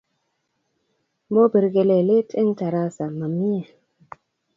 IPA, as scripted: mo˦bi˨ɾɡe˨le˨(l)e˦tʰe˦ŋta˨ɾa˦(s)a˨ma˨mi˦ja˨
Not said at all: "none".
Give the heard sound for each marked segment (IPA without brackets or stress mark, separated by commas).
l, s